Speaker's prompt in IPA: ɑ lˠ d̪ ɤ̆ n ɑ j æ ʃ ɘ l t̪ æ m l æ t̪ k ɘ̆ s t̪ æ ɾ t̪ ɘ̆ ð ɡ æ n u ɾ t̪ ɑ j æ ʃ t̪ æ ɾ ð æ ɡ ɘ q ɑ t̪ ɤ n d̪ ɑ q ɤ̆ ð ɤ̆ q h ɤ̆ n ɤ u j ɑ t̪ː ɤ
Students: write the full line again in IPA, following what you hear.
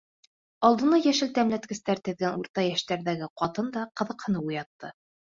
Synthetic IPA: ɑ lˠ d̪ ɤ̆ n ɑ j æ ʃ ɘ l t̪ æ m l æ t̪ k ɘ̆ s t̪ æ ɾ t̪ ɘ̆ ð ɡ æ n u ɾ t̪ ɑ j æ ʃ t̪ æ ɾ ð æ ɡ ɘ q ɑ t̪ ɤ n d̪ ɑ q ɤ̆ ð ɤ̆ q h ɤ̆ n ɤ u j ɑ t̪ː ɤ